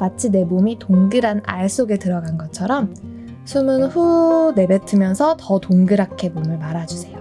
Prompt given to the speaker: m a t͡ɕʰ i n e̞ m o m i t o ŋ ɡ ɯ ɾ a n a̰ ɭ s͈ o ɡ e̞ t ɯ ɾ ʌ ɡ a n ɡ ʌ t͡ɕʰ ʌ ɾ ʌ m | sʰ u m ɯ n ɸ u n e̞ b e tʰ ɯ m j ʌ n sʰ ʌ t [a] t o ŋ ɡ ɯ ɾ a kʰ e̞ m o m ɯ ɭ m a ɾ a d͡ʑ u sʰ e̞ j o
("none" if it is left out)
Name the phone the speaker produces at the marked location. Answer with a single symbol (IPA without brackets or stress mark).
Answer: ʌ